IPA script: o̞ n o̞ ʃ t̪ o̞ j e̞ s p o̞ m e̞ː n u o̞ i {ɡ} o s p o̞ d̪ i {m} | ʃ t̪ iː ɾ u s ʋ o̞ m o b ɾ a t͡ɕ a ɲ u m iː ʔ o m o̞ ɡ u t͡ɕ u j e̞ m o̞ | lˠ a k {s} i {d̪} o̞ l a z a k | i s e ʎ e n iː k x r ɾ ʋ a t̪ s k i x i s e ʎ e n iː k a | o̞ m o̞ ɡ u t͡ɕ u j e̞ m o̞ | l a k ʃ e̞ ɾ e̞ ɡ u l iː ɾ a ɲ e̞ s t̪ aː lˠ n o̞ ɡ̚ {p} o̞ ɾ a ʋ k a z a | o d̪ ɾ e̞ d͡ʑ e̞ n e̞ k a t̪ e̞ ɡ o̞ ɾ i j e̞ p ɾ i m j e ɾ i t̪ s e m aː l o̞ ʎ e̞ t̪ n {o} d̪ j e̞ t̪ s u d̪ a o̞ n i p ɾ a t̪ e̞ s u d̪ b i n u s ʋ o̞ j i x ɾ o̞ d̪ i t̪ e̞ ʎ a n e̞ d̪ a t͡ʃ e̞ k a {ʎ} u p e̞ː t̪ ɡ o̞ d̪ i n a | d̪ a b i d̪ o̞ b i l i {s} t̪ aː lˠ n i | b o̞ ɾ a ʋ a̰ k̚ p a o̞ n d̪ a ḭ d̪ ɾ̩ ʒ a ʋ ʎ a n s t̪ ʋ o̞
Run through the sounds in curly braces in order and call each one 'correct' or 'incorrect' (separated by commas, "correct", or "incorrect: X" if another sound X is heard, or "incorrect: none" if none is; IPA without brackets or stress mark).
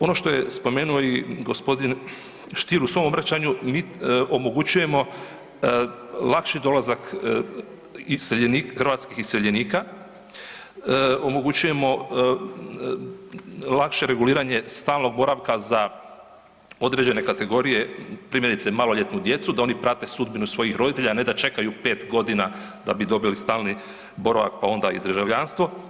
correct, incorrect: n, incorrect: ʃ, correct, incorrect: b, incorrect: u, incorrect: j, correct